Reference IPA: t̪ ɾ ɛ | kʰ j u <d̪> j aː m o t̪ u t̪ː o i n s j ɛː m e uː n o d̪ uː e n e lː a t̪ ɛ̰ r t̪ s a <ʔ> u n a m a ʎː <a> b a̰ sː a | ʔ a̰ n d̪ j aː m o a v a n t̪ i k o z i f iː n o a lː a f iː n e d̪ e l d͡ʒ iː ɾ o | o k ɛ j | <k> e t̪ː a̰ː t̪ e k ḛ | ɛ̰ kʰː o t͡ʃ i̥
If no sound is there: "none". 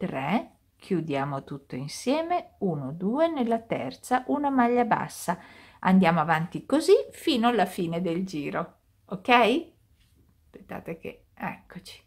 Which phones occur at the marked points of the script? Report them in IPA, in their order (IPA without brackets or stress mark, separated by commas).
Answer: d̪, ʔ, a, p